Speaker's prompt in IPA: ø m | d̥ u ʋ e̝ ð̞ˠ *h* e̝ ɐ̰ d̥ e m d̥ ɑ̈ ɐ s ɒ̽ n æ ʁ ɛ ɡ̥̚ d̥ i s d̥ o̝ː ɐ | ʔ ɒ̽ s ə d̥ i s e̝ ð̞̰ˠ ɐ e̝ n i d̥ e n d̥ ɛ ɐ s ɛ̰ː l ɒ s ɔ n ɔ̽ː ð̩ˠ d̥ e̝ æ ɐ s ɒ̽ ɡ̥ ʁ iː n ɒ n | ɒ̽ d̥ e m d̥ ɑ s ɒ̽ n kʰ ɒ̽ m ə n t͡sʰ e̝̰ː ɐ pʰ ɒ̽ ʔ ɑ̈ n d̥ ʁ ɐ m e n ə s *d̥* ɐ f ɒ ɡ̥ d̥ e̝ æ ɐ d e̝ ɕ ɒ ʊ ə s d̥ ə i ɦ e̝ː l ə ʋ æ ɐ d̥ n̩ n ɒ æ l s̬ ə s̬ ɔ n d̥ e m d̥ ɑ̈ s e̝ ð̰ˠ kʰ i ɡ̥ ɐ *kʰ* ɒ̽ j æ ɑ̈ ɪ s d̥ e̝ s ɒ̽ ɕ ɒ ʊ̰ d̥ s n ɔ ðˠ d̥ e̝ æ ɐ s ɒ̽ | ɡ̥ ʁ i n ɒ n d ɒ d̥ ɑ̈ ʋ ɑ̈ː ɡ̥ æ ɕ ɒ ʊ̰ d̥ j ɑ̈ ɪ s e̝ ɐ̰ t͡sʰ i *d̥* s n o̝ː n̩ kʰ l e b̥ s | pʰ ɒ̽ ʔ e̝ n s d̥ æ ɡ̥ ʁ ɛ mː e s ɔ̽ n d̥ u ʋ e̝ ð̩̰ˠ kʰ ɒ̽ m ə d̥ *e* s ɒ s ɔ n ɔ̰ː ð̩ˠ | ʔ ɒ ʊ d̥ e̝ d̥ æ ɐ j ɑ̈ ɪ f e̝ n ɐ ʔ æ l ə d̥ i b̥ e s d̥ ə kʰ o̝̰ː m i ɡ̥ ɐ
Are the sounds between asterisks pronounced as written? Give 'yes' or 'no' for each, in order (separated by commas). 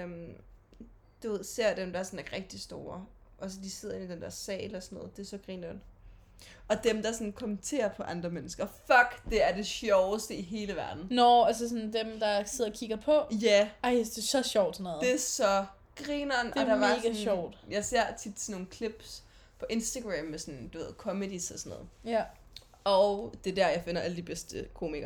no, no, no, yes, no